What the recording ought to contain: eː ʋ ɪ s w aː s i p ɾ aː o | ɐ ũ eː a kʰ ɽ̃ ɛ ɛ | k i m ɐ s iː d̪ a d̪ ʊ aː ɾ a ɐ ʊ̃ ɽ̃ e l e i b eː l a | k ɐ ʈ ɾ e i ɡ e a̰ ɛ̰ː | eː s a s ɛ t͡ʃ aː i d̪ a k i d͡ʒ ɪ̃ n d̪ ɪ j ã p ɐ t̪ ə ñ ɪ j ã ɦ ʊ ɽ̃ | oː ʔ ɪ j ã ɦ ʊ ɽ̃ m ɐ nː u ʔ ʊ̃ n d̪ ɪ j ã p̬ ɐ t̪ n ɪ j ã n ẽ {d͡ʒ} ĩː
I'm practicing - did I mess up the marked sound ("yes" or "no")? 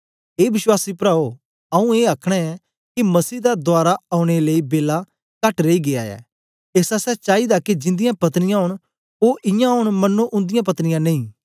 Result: yes